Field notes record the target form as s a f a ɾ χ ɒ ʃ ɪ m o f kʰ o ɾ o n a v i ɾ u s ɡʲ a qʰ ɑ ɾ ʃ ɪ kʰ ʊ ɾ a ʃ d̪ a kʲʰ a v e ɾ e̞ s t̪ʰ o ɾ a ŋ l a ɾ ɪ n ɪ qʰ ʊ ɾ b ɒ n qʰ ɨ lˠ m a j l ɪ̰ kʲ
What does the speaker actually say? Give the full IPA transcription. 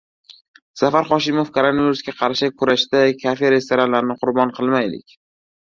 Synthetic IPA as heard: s a f a ɾ χ ɒ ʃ ɪ m o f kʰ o ɾ o n a v i ɾ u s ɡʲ a qʰ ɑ ɾ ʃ ɪ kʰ ʊ ɾ a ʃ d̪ a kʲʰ a f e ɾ e̞ s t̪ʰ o ɾ a n l a ɾ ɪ n ɪ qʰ ʊ ɾ b ɒ n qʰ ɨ lˠ m a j l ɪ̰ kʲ

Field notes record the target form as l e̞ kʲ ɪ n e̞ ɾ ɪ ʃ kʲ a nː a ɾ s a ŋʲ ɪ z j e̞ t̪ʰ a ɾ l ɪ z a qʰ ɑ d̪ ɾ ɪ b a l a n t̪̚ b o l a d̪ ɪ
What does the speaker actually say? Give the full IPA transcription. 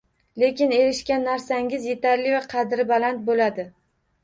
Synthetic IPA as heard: l e̞ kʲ ɪ n e̞ ɾ ɪ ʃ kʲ a nː a ɾ s a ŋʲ ɪ z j e̞ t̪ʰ a ɾ l ɪ v a qʰ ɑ d̪ ɾ ɪ b a l a n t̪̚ b o l a d̪ ɪ

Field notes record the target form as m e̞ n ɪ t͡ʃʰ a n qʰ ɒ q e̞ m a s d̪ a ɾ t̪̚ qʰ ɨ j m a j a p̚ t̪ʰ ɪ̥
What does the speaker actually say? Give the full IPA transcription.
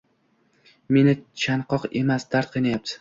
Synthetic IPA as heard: m e̞ n ɪ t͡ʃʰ a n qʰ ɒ q e̞ m a s d̪ a ɾ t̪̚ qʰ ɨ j n a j a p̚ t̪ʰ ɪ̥

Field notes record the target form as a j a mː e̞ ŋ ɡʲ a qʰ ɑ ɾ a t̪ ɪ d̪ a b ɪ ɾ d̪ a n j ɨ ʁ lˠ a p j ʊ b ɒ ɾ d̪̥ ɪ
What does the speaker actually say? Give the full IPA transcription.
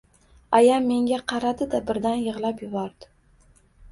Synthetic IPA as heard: a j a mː e̞ ŋ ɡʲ a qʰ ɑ ɾ a d̪ ɪ d̪ a b ɪ ɾ d̪ a n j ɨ ʁ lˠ a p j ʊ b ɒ ɾ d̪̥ ɪ

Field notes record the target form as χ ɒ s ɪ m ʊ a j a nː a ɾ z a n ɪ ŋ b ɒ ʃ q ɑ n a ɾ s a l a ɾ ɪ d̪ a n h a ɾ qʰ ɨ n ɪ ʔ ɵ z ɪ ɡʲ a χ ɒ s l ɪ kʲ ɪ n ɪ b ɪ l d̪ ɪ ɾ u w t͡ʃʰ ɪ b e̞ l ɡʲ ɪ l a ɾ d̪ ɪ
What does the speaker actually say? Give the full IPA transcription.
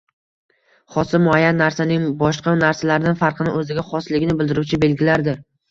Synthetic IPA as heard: χ ɒ s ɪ m ʊ a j a nː a ɾ s a n ɪ ŋ b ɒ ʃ q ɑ n a ɾ s a l a ɾ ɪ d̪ a n f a ɾ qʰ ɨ n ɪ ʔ ɵ z ɪ ɡʲ a χ ɒ s l ɪ ɡʲ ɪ n ɪ b ɪ l d̪ ɪ ɾ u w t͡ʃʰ ɪ b e̞ l ɡʲ ɪ l a ɾ d̪ ɪ

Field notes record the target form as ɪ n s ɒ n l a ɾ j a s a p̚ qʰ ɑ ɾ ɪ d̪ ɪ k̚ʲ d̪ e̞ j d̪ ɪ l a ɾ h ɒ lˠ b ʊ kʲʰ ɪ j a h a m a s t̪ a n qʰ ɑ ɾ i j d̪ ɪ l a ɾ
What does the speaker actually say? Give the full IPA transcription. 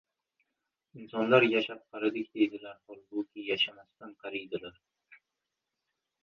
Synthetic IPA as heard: ɪ n s ɒ n l a ɾ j a ʃ a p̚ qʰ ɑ ɾ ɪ d̪ ɪ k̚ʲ d̪ e̞ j d̪ ɪ l a ɾ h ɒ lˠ b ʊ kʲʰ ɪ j a ʃ a m a s t̪ a n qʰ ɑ ɾ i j d̪ ɪ l a ɾ

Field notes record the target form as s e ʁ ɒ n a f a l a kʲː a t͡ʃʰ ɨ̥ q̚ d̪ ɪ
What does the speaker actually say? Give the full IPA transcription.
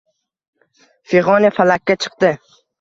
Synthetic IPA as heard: f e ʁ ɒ n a f a l a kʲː a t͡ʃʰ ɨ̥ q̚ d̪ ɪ

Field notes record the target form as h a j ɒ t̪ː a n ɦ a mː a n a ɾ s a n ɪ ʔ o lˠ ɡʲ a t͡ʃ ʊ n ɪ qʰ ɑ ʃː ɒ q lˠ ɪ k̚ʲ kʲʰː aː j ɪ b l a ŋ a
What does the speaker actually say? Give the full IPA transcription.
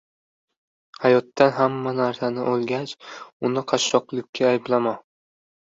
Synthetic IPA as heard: h a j ɒ t̪ː a n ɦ a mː a n a ɾ s a n ɪ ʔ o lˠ ɡʲ a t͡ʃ ʊ n ɪ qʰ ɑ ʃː ɒ q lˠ ɪ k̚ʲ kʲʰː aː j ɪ b l a m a

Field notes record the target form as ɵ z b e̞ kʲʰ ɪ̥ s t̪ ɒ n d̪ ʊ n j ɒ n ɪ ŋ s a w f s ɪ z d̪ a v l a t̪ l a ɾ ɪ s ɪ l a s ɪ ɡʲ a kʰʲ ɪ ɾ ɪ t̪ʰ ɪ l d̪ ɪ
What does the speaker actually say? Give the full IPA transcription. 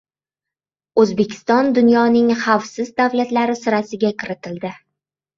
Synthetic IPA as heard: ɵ z b e̞ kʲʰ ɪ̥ s t̪ ɒ n d̪ ʊ n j ɒ n ɪ ŋ χ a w f s ɪ z d̪ a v l a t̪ l a ɾ ɪ s ɪ ɾ a s ɪ ɡʲ a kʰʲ ɪ ɾ ɪ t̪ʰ ɪ l d̪ ɪ

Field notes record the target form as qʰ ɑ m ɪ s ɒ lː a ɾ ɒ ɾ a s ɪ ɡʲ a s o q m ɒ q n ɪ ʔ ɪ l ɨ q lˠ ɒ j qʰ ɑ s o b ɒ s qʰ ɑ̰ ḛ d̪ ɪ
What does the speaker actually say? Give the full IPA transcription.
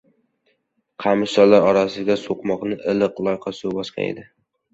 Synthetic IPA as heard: qʰ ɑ m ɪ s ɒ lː a ɾ ɒ ɾ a s ɪ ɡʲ a s o q m ɒ q n ɪ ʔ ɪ l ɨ q lˠ ɒ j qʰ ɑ s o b ɒ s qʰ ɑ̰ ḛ d̪ ɪ

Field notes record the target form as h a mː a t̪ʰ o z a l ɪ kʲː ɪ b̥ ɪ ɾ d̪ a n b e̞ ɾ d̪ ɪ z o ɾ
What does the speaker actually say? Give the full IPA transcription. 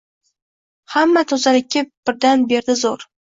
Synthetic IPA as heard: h a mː a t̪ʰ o z a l ɪ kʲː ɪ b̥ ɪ ɾ d̪ a n b e̞ ɾ d̪ ɪ z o ɾ

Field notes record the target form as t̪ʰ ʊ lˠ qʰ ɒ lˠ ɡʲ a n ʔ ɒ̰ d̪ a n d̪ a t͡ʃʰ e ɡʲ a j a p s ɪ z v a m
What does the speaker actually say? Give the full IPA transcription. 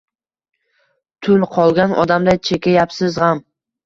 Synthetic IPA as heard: t̪ʰ ʊ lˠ qʰ ɒ lˠ ɡʲ a n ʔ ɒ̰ d̪ a m d̪ a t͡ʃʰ e kʲ a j a p s ɪ z ʁ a m

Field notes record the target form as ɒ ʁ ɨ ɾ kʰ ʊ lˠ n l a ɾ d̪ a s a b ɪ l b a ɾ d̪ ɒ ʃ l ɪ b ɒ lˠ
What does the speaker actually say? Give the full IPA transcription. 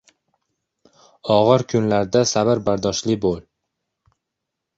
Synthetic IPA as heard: ɒ ʁ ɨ ɾ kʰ ʊ n l a ɾ d̪ a s a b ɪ ɾ b a ɾ d̪ ɒ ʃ l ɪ b o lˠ

